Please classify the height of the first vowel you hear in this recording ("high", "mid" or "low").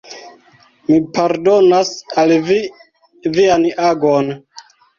high